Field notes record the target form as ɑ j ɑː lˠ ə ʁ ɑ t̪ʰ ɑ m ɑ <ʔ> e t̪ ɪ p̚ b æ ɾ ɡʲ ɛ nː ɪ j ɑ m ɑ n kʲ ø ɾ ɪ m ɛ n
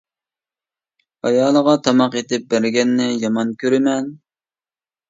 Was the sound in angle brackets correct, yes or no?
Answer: no